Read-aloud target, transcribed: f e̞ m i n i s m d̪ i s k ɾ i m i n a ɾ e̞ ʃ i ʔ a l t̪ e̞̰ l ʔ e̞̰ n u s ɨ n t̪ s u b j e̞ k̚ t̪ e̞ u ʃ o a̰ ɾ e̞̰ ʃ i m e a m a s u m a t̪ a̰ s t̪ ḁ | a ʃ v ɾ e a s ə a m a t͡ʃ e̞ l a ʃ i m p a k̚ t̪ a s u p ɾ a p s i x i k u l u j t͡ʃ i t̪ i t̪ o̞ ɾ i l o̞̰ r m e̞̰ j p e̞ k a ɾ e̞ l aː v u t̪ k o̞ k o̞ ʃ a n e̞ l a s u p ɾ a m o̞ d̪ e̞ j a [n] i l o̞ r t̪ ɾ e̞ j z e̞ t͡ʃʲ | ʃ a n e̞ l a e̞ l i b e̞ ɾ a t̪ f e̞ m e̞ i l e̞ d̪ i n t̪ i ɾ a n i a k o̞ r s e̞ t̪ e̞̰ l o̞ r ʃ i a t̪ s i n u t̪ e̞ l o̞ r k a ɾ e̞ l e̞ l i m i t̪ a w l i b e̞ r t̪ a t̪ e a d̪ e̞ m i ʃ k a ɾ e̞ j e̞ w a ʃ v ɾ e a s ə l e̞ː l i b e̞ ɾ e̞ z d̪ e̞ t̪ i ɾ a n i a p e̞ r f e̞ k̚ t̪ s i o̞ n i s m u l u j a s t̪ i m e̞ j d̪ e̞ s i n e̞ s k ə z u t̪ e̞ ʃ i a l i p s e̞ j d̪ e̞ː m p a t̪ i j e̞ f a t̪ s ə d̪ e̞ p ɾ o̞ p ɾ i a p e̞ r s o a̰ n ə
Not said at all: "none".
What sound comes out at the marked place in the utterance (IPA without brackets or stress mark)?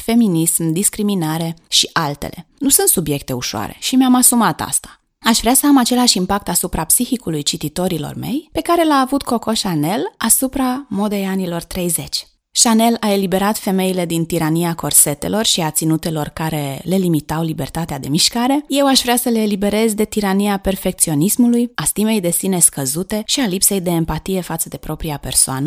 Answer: n